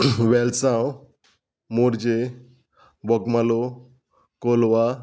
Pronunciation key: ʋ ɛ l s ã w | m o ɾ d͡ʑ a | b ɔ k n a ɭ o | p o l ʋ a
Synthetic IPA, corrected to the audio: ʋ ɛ l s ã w | m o ɾ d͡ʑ e | b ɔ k m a l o | k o l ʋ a